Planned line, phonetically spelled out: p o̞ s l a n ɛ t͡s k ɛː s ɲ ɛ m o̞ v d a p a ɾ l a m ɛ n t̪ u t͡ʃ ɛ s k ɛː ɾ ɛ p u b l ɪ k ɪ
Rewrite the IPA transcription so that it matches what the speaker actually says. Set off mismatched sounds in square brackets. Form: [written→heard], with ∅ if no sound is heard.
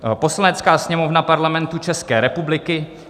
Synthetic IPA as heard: p o̞ s l a n ɛ t͡s k [ɛː→aː] s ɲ ɛ m o̞ v [d→n] a p a ɾ l a m ɛ n t̪ u t͡ʃ ɛ s k ɛː ɾ ɛ p u b l ɪ k ɪ